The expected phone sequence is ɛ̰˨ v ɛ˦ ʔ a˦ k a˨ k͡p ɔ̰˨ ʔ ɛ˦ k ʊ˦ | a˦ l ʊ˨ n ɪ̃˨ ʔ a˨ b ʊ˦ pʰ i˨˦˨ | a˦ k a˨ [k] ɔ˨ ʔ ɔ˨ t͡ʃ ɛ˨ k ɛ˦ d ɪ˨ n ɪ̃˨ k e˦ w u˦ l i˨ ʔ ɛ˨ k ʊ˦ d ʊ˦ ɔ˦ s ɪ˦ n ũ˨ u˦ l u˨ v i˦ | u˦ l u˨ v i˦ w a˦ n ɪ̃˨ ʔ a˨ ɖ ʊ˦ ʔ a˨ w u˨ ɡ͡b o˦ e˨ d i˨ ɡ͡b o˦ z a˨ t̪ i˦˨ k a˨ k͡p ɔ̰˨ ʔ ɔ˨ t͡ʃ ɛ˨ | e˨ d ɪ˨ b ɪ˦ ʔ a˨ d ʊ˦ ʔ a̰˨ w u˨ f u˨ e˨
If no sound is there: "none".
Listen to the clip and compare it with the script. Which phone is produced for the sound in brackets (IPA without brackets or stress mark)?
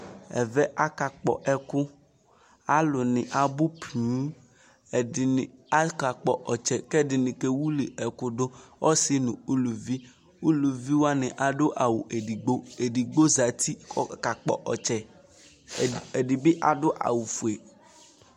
k͡p